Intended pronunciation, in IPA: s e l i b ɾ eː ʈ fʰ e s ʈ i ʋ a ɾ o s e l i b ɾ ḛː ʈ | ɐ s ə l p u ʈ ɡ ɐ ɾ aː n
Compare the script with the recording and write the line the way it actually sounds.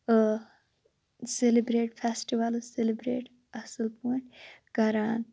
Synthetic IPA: s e l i b ɾ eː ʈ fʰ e s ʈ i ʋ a l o s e l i b ɾ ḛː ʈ | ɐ s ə l p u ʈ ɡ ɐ ɾ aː n